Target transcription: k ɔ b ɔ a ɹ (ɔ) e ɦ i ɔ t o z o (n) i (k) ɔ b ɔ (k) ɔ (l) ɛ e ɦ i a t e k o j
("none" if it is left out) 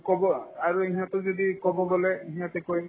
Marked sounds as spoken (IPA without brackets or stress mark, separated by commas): u, d, k, ɡ, l